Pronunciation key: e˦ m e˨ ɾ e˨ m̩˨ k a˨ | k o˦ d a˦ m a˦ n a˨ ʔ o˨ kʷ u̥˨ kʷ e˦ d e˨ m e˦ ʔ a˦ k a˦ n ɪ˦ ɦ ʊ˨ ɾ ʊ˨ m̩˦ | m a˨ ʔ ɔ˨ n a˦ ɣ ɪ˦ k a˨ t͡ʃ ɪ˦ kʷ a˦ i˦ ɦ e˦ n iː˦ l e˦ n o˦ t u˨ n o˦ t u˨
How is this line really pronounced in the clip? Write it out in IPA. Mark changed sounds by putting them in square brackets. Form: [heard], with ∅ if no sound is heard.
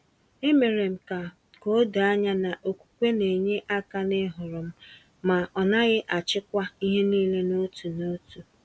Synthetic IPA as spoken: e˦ m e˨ ɾ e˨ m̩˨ k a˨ | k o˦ d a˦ [ɲ] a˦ n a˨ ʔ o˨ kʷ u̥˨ kʷ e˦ [n] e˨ [ɲ] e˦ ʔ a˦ k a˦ n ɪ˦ ɦ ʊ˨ ɾ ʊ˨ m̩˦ | m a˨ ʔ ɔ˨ n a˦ ɣ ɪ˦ [ʔ] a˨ t͡ʃ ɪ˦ kʷ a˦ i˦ ɦ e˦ n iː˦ l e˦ n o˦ t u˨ n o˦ t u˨